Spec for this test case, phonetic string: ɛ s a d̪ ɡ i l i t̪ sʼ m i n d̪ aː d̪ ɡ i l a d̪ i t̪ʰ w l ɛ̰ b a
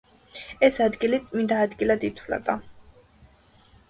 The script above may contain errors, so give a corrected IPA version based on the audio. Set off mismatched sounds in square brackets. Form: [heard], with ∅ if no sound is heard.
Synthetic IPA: ɛ s a d̪ ɡ i l i t̪ sʼ m i n d̪ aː d̪ ɡ i l a d̪ i t̪ʰ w l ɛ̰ b a